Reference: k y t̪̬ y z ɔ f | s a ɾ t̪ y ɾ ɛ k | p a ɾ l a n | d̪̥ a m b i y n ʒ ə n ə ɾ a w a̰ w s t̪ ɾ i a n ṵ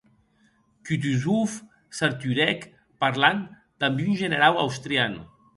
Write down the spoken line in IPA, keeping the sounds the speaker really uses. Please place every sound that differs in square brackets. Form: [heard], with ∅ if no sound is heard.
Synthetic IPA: k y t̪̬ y z [u] f | s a ɾ t̪ y ɾ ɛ k | p a ɾ l a n | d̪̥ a m b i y n ʒ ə n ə ɾ a w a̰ w s t̪ ɾ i a n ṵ